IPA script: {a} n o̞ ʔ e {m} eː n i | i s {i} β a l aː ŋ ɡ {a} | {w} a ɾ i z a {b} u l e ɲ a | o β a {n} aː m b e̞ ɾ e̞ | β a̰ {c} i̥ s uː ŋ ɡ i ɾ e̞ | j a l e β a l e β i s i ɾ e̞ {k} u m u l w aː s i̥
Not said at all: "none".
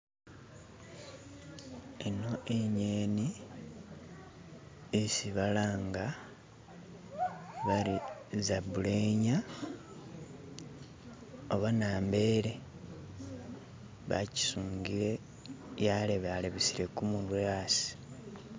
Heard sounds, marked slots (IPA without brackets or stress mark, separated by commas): e, ɲ, i, a, β, b, n, c, k